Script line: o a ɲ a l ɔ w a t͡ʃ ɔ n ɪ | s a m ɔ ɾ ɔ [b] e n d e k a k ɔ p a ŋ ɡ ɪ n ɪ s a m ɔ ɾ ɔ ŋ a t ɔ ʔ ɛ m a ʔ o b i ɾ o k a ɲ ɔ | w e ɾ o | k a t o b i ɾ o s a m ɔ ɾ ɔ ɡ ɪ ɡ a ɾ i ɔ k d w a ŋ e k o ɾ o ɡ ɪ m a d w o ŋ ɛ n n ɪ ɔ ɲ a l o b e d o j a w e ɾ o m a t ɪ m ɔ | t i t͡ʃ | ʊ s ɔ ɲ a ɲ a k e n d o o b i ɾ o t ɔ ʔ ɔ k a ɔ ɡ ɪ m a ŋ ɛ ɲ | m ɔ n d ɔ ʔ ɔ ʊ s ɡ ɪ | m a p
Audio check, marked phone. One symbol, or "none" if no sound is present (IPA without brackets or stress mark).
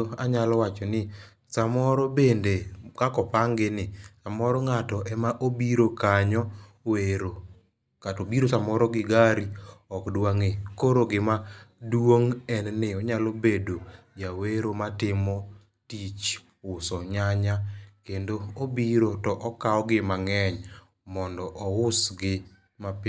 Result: b